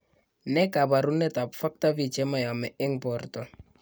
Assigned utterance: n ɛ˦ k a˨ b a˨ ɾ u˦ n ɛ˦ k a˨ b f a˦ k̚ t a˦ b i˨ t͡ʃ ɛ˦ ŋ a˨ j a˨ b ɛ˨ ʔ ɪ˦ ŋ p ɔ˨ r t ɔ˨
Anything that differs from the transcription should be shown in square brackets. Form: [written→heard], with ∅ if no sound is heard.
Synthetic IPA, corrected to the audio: n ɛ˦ k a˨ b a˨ ɾ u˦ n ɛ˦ [k→t] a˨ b f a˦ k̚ t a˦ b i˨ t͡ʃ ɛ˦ [ŋ→m] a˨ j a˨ [b→m] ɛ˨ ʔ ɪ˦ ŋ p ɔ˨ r t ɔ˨